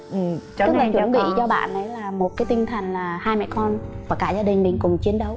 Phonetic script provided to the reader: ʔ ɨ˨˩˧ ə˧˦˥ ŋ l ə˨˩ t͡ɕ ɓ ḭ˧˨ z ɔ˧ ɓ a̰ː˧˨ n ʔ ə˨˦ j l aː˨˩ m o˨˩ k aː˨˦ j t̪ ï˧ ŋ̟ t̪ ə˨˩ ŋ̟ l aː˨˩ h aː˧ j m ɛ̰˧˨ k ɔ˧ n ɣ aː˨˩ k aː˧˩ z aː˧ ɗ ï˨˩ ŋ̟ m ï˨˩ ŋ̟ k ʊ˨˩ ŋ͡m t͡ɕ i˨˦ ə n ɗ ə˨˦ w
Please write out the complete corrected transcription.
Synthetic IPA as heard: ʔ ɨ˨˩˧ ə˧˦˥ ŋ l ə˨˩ t͡ɕ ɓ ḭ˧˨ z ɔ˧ ɓ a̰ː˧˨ n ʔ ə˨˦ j l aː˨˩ m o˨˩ k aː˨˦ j t̪ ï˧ ŋ̟ t̪ʰ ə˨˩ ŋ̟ l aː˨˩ h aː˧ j m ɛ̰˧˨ k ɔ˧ n v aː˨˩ k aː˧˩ z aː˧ ɗ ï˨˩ ŋ̟ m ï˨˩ ŋ̟ k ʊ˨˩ ŋ͡m t͡ɕ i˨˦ ə n ɗ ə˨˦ w

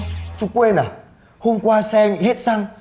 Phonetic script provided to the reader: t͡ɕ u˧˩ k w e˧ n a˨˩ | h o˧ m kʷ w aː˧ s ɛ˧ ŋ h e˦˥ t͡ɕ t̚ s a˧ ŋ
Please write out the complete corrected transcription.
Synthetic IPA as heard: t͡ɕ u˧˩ k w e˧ n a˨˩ | h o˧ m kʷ w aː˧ s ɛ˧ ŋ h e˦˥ t̚ s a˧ ŋ

